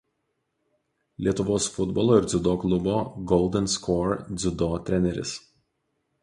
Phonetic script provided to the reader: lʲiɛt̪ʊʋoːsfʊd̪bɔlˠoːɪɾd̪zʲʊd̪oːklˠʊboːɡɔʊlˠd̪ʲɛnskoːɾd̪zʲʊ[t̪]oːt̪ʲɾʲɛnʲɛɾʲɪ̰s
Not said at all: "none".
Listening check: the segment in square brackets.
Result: d̪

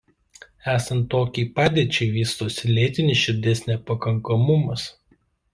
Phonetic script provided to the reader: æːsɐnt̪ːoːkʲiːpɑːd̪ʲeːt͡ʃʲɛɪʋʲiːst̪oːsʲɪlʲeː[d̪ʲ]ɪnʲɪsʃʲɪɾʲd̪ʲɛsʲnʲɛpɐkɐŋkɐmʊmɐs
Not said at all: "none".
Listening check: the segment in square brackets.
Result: t̪ʲ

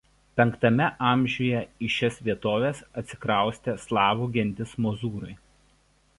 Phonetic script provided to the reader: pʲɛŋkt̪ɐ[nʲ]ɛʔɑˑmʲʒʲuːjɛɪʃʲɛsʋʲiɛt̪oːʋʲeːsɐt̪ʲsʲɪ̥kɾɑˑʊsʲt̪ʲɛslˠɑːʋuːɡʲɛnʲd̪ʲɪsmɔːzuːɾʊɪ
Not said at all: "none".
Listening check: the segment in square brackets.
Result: mʲ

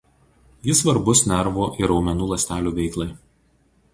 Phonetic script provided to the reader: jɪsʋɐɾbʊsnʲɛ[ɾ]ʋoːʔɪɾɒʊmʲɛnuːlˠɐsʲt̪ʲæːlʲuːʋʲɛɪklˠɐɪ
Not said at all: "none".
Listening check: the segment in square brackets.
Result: ɾ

